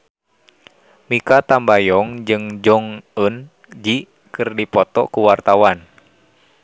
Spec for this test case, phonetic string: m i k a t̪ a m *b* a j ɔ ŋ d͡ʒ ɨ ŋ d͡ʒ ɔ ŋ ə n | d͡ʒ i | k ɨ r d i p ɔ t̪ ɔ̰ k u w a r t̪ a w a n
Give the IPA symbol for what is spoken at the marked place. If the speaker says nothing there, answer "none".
b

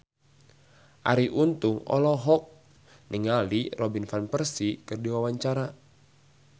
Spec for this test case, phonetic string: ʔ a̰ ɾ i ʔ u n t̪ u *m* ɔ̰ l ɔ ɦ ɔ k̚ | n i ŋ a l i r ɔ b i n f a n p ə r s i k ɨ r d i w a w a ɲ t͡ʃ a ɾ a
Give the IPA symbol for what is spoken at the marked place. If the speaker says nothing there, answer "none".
ŋ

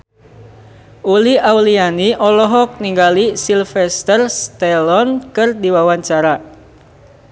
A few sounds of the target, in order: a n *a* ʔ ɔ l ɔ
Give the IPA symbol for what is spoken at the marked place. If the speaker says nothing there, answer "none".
i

